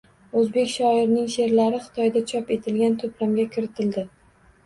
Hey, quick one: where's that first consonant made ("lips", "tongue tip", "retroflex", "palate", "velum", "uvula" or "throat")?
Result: tongue tip